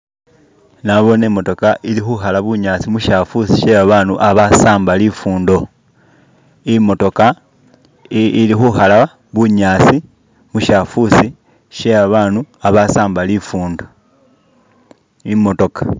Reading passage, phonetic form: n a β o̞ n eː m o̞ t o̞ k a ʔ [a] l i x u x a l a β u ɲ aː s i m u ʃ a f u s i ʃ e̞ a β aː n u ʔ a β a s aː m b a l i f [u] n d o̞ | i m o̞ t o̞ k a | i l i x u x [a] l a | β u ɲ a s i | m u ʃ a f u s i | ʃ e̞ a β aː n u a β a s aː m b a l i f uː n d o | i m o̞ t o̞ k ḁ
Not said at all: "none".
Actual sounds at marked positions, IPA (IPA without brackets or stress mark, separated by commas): i, uː, a